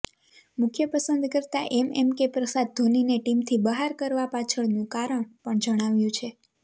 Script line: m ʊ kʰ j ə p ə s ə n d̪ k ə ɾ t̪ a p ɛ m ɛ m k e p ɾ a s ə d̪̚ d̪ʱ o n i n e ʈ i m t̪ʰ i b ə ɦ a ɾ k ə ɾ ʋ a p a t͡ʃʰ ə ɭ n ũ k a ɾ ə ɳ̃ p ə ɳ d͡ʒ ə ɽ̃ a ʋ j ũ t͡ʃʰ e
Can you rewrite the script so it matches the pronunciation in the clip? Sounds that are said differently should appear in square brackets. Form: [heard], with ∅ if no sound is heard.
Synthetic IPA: m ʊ kʰ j ə p ə s ə n d̪ k ə ɾ t̪ a [ʔ] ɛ m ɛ m k e p ɾ [ə] s [a] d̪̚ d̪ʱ o n i n e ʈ i m t̪ʰ i b ə ɦ a ɾ k ə ɾ ʋ a p a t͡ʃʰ ə ɭ n ũ k a ɾ ə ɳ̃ p ə ɳ d͡ʒ ə ɽ̃ a ʋ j ũ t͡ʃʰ e